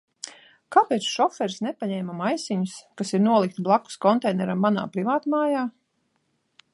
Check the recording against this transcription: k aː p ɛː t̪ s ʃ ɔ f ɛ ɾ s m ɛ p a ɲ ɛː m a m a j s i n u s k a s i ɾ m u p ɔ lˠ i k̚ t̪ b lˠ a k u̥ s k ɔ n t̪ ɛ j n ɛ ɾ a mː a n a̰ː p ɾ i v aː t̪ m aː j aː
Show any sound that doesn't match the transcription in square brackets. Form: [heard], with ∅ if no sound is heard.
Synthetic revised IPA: k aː p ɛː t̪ s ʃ ɔ f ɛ ɾ s [n] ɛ p a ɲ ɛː m a m a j s i [ɲ] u s k a s i ɾ [n] u [∅] ɔ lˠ i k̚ t̪ b lˠ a k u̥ s k ɔ n t̪ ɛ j n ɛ ɾ a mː a n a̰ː p ɾ i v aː t̪ m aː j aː